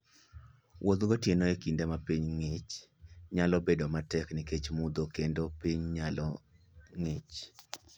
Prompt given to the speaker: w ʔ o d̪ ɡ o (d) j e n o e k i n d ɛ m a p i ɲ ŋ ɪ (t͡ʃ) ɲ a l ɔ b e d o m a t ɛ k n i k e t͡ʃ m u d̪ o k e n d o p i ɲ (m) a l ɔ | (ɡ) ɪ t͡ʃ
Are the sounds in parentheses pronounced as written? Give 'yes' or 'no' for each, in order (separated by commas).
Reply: no, yes, no, no